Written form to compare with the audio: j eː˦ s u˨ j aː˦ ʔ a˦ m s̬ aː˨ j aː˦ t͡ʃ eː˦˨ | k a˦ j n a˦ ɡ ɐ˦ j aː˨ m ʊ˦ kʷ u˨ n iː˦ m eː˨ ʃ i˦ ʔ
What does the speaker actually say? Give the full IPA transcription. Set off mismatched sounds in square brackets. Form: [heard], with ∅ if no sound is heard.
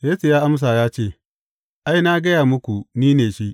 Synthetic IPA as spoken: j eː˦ s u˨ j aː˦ ʔ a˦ m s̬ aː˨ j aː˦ t͡ʃ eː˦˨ | [ʔ] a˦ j n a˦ ɡ ɐ˦ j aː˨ m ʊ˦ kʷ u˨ n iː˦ [n] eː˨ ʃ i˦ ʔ